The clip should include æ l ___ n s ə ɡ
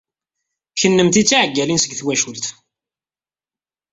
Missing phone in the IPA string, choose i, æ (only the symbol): i